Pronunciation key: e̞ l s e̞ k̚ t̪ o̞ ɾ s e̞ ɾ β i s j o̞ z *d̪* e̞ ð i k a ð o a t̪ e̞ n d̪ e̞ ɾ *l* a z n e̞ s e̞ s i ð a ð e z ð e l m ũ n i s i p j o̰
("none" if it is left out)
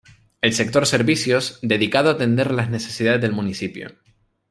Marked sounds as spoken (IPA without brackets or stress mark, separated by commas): d̪, l